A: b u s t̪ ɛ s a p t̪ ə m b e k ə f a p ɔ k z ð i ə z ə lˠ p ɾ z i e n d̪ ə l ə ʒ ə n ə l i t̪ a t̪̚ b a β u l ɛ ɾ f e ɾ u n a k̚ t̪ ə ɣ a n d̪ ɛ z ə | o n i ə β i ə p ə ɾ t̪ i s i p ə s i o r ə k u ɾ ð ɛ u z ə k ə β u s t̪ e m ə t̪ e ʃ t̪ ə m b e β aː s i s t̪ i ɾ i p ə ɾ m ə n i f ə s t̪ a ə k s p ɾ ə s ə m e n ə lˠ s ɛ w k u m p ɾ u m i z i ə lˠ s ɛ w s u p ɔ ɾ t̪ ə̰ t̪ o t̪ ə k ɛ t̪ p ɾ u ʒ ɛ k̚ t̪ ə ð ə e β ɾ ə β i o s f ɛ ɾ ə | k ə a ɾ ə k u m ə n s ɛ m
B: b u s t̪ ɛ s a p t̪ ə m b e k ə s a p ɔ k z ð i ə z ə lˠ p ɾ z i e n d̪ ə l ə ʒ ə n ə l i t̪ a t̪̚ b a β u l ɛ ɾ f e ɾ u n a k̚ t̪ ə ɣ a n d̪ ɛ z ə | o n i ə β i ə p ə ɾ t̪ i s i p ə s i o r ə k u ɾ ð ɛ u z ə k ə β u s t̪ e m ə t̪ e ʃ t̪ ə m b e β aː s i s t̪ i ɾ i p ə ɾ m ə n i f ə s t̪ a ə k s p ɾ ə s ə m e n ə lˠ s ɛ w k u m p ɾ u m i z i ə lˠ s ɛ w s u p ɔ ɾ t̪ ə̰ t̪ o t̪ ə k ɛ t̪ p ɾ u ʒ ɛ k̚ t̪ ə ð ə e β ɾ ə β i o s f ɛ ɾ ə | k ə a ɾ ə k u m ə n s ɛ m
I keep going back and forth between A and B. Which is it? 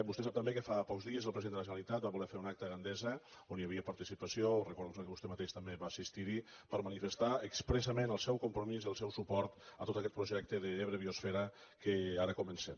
A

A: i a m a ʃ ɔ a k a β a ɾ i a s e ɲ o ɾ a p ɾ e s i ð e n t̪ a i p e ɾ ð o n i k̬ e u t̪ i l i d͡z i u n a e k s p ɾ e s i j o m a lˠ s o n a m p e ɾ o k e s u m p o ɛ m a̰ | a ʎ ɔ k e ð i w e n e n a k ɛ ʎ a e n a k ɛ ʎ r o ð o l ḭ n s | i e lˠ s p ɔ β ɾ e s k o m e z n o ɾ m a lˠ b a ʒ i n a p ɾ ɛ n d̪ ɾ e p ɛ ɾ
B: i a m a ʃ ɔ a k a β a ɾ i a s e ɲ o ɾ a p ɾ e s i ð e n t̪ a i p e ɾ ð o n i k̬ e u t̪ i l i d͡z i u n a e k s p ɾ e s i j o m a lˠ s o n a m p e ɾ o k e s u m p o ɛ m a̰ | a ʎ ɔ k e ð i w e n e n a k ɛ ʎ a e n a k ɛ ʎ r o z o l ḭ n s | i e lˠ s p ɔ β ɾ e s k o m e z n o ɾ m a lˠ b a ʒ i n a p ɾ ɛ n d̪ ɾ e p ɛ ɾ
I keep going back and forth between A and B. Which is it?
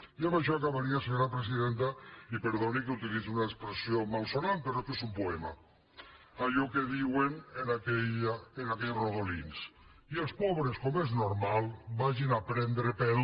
A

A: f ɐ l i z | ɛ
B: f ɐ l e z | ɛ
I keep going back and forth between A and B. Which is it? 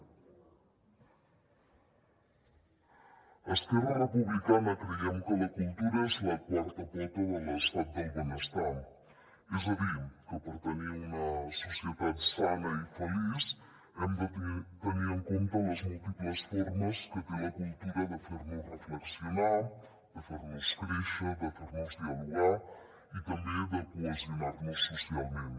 A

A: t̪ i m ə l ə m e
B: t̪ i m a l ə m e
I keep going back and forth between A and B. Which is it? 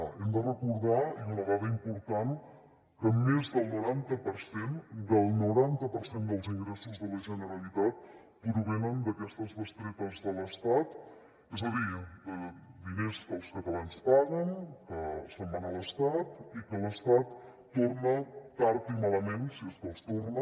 B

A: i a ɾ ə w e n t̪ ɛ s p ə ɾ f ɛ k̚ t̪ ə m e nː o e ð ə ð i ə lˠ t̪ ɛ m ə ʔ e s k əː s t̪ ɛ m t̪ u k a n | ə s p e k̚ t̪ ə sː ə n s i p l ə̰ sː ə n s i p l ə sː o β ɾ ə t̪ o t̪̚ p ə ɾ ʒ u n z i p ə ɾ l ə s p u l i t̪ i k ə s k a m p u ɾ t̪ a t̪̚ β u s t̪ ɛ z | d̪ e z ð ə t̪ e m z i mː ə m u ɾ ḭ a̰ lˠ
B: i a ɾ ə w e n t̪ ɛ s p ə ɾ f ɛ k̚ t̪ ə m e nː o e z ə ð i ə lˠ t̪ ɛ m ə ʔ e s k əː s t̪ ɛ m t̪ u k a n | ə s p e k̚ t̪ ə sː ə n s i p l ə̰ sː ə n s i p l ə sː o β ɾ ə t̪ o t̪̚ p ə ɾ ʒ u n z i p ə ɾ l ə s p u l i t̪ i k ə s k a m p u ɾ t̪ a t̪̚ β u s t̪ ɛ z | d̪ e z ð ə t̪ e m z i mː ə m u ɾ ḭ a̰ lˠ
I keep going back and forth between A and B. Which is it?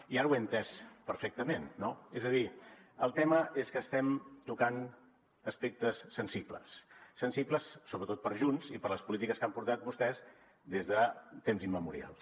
B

